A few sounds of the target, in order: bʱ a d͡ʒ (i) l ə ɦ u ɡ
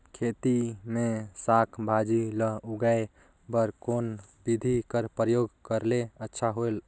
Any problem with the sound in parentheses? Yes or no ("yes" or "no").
no